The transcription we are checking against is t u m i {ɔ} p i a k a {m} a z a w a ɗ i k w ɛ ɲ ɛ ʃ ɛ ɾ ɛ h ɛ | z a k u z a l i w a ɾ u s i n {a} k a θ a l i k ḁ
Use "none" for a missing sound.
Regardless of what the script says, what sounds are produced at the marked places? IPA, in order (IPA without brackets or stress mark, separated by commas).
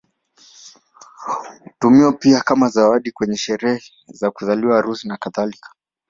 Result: ɔ, m, a